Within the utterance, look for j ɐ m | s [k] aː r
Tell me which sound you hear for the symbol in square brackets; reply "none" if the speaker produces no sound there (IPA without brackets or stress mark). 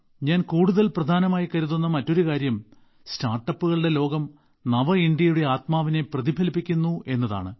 t